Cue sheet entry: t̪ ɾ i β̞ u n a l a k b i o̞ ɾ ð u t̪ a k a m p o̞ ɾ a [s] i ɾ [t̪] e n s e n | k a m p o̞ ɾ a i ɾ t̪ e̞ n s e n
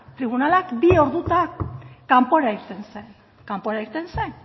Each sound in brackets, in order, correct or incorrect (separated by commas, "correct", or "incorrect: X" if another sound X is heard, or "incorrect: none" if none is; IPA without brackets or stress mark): incorrect: none, correct